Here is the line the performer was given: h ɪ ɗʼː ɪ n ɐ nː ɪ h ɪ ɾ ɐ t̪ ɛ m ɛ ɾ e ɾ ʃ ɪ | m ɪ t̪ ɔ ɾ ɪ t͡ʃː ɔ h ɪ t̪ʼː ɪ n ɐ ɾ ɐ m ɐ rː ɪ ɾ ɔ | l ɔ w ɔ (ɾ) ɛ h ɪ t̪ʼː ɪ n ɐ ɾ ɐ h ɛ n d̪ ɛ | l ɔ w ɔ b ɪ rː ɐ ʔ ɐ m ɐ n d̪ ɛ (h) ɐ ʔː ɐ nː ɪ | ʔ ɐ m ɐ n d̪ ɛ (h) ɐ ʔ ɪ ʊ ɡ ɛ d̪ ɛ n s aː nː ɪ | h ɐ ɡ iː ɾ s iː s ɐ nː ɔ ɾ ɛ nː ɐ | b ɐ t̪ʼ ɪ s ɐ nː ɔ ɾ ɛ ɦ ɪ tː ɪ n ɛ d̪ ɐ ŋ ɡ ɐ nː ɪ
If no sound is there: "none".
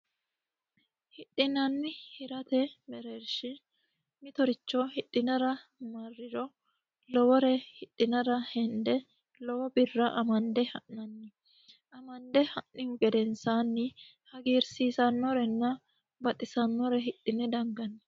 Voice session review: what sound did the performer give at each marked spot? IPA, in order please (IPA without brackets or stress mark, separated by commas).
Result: ɾ, h, h